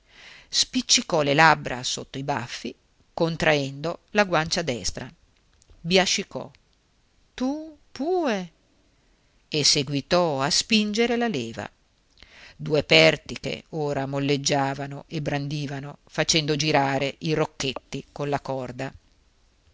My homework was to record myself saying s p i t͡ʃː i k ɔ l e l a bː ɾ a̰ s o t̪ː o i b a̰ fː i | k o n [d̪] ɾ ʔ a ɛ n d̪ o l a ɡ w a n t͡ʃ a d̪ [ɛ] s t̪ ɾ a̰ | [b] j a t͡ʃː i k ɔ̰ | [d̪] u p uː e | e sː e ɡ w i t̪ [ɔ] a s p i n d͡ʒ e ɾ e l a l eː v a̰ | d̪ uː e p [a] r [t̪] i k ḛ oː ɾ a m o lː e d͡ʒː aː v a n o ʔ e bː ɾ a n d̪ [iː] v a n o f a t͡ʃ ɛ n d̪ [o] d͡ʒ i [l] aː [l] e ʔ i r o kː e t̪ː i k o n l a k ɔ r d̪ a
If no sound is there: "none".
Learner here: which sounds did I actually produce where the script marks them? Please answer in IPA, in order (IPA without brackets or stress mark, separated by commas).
t̪, ɛ, b, t̪, ɔ, ɛ, t̪, iː, o, ɾ, ɾ